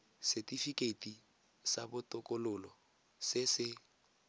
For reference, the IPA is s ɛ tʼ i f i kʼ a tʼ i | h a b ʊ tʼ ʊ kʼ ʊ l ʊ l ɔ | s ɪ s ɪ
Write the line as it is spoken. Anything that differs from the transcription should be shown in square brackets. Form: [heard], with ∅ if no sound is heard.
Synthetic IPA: s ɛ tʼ i f i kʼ [e] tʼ i | [s] a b ʊ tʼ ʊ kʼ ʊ l ʊ l ɔ | s ɪ s ɪ